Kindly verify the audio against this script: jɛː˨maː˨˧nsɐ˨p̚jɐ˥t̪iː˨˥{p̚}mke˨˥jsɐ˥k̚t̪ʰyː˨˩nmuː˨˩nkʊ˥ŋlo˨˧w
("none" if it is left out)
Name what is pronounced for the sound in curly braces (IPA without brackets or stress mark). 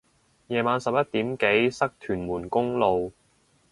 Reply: none